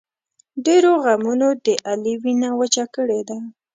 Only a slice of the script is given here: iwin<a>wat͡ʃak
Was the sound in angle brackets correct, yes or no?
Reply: yes